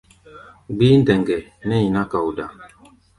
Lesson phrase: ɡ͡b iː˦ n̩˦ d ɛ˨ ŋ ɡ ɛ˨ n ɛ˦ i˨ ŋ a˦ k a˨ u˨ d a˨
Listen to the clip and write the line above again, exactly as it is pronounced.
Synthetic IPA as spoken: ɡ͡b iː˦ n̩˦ d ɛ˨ ŋ ɡ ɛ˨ n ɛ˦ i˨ n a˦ k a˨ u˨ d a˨